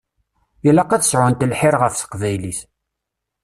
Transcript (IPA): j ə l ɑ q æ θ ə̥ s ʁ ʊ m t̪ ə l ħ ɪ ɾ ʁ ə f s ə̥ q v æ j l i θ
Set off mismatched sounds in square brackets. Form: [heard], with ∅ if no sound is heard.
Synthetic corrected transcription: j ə l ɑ q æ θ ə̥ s [ʕ] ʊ [n] t̪ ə l ħ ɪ ɾ ʁ ə f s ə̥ q v æ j l i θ